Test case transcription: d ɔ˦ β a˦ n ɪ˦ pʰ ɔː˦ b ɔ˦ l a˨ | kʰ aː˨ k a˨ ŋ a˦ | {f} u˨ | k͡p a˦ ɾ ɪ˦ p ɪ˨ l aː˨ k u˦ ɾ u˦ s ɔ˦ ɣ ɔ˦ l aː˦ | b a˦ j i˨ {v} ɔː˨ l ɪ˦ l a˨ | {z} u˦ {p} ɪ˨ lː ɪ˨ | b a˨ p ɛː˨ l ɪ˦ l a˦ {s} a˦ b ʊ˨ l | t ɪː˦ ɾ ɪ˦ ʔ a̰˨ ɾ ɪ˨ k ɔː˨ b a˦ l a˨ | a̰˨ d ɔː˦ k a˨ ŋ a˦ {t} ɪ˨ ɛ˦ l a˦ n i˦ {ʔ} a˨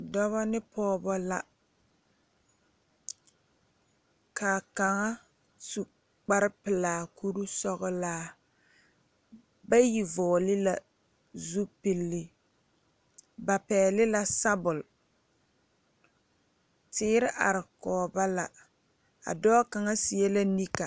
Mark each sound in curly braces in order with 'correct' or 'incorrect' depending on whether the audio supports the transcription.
incorrect, correct, correct, correct, correct, incorrect, incorrect

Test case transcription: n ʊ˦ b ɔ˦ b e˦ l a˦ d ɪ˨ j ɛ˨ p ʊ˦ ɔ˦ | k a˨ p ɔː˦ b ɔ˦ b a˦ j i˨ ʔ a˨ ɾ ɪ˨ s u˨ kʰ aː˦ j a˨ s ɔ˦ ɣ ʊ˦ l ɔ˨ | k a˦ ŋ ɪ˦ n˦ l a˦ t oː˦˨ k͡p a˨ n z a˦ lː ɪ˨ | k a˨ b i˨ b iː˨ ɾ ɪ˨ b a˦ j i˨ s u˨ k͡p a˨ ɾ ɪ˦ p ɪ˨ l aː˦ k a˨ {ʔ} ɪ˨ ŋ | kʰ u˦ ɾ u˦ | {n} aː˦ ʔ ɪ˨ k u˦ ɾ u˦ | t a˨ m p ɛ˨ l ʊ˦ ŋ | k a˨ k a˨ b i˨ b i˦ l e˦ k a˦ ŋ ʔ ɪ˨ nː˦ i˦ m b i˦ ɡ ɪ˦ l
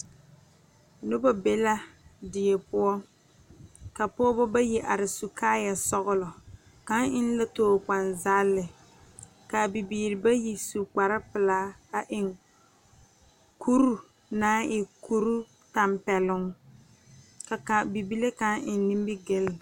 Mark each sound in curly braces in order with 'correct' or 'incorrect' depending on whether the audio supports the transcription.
correct, correct

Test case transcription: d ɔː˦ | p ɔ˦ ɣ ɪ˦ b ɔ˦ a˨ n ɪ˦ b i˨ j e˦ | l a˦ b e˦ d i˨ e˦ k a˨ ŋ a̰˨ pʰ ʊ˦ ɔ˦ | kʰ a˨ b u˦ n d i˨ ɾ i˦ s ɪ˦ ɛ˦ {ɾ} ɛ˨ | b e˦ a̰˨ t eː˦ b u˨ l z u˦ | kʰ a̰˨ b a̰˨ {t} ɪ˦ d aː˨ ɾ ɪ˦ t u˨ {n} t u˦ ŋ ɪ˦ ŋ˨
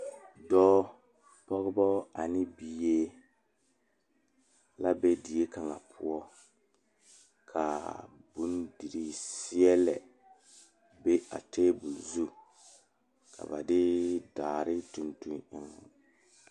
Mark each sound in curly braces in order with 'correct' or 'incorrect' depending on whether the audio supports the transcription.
incorrect, incorrect, correct

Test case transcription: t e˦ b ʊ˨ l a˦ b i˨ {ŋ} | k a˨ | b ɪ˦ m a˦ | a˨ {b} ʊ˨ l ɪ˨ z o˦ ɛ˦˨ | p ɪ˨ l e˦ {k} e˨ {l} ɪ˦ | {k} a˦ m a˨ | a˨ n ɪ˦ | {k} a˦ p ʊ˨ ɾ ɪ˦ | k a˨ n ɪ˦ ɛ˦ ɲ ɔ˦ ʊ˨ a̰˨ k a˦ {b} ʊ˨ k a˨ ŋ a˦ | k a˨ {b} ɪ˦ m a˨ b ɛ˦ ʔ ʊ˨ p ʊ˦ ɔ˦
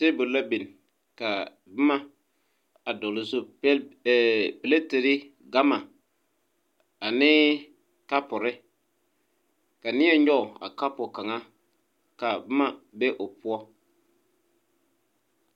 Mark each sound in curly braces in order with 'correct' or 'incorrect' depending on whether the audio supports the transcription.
incorrect, incorrect, incorrect, incorrect, incorrect, correct, incorrect, correct

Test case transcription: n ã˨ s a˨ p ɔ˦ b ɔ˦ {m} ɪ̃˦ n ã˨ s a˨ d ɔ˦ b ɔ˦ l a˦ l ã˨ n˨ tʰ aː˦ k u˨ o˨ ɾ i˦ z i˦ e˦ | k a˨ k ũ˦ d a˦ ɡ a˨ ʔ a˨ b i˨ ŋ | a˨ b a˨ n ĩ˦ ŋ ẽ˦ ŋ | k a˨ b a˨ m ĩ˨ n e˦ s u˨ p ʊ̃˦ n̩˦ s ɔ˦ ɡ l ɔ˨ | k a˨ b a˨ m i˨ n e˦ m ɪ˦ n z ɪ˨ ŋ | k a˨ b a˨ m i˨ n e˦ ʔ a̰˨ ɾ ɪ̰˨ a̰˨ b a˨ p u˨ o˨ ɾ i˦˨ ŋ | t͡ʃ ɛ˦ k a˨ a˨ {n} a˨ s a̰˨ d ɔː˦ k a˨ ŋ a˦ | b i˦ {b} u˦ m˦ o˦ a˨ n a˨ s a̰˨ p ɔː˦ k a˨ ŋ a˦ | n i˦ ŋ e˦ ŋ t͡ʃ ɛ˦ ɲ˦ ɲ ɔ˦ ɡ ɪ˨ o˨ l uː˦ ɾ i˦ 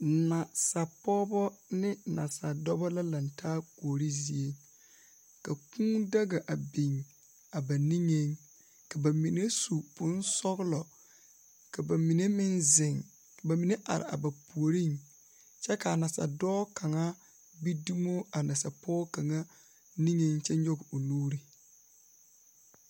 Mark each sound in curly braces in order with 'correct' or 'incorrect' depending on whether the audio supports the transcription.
incorrect, correct, incorrect

